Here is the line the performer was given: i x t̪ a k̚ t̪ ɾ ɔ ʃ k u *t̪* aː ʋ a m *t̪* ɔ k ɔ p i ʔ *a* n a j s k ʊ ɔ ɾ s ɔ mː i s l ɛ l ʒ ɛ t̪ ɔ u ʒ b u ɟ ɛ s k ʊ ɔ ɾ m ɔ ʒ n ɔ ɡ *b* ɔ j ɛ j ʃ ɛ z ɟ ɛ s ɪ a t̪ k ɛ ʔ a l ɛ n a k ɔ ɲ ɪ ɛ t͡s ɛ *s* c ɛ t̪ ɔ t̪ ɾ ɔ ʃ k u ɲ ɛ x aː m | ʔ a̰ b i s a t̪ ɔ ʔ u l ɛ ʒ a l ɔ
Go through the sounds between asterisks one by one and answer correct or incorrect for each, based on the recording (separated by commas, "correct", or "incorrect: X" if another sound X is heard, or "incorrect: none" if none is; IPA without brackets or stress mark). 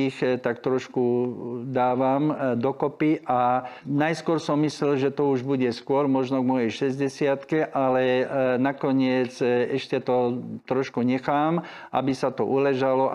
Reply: incorrect: d̪, incorrect: d̪, correct, incorrect: m, incorrect: ʃ